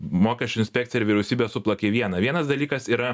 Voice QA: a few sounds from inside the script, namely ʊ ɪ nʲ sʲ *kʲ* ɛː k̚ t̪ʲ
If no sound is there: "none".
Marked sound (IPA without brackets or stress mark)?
pʲ